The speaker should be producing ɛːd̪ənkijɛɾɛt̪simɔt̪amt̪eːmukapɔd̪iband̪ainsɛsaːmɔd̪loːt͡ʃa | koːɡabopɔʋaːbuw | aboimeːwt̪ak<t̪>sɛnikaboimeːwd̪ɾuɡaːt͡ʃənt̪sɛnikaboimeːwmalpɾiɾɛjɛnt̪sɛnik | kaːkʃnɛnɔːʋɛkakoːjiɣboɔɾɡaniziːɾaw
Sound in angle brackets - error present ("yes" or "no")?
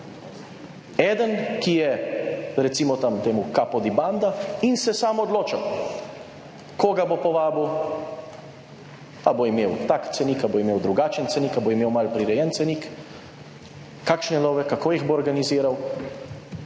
no